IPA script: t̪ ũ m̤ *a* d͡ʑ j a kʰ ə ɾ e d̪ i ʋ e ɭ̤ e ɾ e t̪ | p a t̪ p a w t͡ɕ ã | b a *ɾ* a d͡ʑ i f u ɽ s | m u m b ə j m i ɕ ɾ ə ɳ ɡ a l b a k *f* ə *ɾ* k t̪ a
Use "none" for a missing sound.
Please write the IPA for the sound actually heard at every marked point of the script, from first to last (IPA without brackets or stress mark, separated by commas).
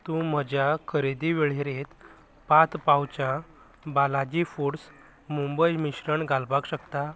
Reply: ə, l, ɕ, none